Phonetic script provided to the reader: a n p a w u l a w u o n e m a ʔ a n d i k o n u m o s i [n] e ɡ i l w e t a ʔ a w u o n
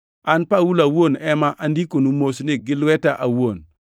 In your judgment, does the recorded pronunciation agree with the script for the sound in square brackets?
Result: yes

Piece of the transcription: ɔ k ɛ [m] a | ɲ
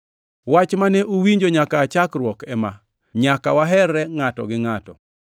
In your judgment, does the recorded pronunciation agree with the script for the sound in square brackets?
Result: yes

